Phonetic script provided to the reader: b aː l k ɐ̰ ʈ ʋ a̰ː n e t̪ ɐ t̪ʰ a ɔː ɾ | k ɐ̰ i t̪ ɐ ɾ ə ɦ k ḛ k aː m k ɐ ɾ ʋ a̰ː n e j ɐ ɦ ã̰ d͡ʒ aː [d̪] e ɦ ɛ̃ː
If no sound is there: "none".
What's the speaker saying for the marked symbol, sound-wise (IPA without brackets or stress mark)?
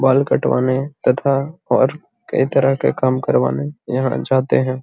t̪